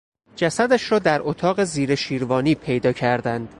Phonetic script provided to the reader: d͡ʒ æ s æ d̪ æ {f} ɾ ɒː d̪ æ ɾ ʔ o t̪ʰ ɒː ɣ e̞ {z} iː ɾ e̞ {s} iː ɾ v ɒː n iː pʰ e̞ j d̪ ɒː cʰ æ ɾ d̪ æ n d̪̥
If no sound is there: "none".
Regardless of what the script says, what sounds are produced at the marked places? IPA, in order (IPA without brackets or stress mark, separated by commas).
ʃ, z, ʃ